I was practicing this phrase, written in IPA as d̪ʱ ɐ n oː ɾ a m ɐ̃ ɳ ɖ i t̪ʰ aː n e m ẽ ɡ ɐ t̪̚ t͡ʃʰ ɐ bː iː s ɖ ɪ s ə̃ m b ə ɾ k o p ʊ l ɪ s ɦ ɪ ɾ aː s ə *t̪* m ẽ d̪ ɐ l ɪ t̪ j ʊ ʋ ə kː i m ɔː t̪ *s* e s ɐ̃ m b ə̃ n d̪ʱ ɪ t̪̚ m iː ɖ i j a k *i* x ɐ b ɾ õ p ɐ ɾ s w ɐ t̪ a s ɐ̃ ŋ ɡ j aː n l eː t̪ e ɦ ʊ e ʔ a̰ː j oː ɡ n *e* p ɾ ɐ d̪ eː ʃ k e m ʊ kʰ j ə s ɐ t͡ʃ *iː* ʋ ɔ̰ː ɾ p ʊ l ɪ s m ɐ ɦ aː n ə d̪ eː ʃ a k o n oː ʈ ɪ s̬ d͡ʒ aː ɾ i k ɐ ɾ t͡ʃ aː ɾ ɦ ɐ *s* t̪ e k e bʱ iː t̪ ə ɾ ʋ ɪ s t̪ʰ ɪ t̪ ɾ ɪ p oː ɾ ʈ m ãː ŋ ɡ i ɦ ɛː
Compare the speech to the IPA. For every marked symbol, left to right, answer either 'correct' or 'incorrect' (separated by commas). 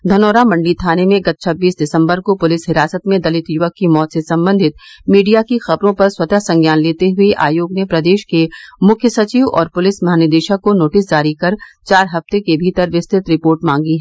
correct, correct, correct, correct, correct, incorrect